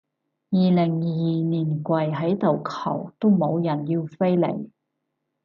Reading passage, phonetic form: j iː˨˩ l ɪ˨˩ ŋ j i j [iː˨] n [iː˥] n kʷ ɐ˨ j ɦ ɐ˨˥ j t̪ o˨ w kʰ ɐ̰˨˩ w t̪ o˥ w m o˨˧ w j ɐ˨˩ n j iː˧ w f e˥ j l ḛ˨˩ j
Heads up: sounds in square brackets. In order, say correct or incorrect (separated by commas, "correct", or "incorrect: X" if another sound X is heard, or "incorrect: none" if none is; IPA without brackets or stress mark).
correct, incorrect: iː˨˩